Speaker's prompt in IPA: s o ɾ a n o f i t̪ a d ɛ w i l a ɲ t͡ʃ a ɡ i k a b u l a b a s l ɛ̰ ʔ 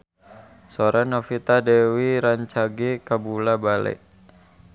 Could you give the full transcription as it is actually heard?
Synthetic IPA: s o ɾ a n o f i t̪ a d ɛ w i ɾ a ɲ t͡ʃ a ɡ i k a b u l a b a l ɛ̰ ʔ